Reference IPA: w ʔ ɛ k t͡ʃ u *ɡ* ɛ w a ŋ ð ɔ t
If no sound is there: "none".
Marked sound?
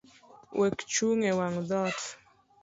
ŋ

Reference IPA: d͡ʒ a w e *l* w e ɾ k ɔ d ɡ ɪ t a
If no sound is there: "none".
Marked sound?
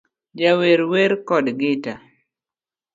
ɾ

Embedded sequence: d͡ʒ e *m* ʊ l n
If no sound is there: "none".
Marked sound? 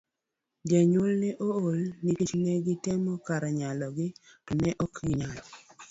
ɲ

